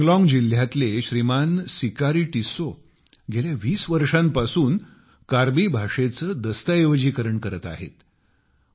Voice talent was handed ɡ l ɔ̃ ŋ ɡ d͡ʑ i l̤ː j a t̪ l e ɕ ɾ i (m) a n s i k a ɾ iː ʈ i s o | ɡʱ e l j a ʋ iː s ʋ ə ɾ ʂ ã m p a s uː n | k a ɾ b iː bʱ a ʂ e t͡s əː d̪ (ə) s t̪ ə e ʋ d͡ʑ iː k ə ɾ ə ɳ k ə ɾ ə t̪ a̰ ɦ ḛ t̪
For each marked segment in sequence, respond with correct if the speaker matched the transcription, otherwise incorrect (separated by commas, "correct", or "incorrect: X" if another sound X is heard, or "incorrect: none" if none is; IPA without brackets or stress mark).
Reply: correct, correct